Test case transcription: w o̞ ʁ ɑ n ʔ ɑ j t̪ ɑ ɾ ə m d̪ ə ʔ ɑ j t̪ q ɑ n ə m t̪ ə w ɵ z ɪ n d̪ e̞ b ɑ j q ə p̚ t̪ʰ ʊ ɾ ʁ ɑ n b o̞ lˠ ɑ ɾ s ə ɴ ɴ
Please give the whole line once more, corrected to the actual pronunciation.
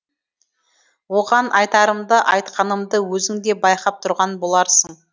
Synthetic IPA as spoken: w o̞ ʁ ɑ n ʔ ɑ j t̪ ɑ ɾ ə m d̪ ə ʔ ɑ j t̪ q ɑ n ə m d̪ ə w ɵ z ɪ ŋ d̪ e̞ b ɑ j q ɑ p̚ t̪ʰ ʊ ɾ ʁ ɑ n b o̞ lˠ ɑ ɾ s ə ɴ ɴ

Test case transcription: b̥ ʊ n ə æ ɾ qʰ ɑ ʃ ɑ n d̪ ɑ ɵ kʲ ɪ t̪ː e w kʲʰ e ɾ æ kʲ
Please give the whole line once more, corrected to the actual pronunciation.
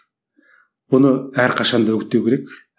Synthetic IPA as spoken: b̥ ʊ n ə æ ɾ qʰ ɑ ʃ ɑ n d̪ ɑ ɵ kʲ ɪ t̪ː e w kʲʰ e ɾ e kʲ

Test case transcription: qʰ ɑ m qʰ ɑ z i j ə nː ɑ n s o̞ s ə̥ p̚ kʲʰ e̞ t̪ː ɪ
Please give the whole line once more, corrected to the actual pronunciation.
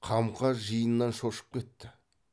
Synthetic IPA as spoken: qʰ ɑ m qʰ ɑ ʒ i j ə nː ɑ n ʃ o̞ ʃ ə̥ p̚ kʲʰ e̞ t̪ː ɪ

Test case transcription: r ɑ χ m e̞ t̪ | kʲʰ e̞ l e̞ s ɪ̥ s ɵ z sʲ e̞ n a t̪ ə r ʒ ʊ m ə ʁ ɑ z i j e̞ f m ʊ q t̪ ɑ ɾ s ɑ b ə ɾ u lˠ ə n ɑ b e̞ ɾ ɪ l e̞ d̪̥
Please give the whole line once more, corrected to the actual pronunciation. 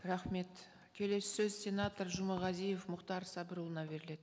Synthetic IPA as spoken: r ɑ χ m e̞ t̪ | kʲʰ e̞ l e̞ s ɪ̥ s ɵ z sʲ e̞ n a t̪ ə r ʒ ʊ m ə ʁ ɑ z i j e̞ f m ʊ q t̪ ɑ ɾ s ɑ b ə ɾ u lˠ ə n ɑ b e̞ ɾ ɪ l e̞ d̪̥

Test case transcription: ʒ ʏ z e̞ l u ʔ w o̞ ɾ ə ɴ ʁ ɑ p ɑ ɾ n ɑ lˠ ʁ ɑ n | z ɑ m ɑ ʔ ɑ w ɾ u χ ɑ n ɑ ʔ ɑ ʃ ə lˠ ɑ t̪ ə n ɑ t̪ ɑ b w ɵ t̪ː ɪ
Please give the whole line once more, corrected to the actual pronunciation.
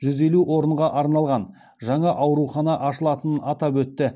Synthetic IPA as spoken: ʒ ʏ z e̞ l u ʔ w o̞ ɾ ə ɴ ʁ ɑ ʔ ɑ ɾ n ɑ lˠ ʁ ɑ n | ʒ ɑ ɴ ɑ ʔ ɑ w ɾ u χ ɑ n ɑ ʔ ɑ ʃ ə lˠ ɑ t̪ ə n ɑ t̪ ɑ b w ɵ t̪ː ɪ

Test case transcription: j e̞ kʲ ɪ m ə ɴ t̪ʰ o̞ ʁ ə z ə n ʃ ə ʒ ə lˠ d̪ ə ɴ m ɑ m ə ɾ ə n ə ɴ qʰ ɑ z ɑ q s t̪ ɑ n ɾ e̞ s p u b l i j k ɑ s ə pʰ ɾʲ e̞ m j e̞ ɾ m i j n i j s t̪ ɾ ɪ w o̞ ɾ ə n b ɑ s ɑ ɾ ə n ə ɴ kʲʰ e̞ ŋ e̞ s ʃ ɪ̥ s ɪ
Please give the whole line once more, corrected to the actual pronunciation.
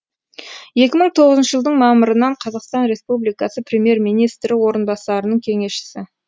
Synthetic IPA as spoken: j e̞ kʲ ɪ m ə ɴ t̪ʰ o̞ ʁ ə z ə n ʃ ə ʒ ə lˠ d̪ ə ɴ m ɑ m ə ɾ ə n ɑ ɴ qʰ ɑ z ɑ q s t̪ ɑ n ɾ e̞ s p u b l i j k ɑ s ə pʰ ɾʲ e̞ m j e̞ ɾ m i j n i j s t̪ ɾ ɪ w o̞ ɾ ə n b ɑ s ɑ ɾ ə n ə ɴ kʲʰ e̞ ŋ e̞ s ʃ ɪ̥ s ɪ

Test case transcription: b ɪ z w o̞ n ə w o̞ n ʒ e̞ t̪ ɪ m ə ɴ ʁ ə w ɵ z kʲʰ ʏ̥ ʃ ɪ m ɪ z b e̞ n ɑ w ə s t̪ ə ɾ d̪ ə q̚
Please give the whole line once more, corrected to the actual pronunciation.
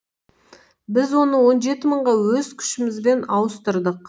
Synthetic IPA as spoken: b ɪ z w o̞ n ə w o̞ n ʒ e̞ t̪ ɪ m ə ɴ ʁ ɑ w ɵ z kʲʰ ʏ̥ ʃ ɪ m ɪ z b e̞ n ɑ w ə s t̪ ə ɾ d̪ ə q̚

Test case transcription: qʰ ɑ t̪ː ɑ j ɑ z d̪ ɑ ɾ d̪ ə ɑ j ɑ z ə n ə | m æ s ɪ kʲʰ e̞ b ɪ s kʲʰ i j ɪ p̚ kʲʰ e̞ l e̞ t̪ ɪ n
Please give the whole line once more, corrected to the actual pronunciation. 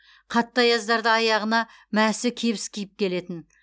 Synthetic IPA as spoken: qʰ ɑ t̪ː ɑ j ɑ z d̪ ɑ ɾ d̪ ə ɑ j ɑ ʁ ə n ɑ | m æ s ɪ kʲʰ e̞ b ɪ s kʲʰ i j ɪ p̚ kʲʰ e̞ l e̞ t̪ ɪ n

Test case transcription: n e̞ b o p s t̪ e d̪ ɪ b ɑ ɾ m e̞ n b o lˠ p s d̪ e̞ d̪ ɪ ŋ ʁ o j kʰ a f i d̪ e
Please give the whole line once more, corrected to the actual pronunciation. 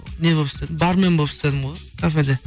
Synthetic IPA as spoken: n e̞ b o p s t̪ e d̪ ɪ b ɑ ɾ m e̞ n b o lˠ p s t̪ e̞ d̪ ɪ m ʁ o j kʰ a f e d̪ e

